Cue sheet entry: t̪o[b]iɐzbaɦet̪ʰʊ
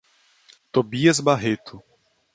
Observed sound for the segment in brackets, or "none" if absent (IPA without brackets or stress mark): b